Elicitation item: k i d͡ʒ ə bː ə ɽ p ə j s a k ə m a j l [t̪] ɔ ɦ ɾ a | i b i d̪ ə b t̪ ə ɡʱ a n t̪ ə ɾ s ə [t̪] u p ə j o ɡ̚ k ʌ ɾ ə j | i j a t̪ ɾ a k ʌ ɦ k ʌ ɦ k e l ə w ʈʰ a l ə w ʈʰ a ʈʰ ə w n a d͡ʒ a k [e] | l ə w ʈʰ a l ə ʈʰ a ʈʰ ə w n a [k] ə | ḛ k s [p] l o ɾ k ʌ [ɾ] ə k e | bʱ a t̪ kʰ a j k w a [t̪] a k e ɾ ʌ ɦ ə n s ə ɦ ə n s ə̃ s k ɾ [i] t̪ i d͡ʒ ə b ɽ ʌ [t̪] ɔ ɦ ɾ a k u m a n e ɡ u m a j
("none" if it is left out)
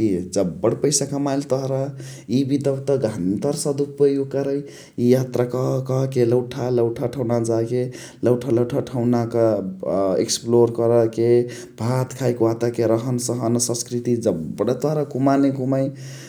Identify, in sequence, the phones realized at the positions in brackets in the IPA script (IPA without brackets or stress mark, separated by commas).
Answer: t̪, d̪, e, k, p, ɾ, t̪, i, t̪